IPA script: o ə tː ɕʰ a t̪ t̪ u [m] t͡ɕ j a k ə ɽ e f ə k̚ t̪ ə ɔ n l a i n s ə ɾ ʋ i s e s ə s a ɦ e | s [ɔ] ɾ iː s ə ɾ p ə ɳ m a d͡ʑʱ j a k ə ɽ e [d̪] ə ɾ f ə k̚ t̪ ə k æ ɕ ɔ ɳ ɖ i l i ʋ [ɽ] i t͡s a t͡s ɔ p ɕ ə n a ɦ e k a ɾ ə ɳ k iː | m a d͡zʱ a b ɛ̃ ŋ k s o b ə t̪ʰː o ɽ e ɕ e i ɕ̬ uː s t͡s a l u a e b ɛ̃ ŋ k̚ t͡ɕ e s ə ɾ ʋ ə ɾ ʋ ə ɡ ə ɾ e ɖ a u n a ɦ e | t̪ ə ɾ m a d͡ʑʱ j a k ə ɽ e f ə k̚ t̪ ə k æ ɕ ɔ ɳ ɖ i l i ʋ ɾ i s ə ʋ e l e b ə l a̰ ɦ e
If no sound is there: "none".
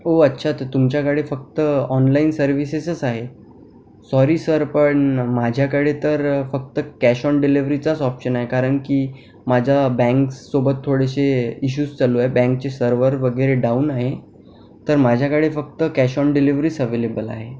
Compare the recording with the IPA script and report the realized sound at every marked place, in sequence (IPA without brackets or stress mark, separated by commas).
m, ɔ, t̪, ɾ